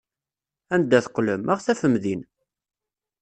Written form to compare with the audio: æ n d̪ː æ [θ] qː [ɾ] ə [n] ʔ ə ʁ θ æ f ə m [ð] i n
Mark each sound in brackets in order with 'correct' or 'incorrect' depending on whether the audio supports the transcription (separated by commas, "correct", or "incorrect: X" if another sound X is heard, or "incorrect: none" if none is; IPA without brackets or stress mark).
correct, incorrect: l, incorrect: m, correct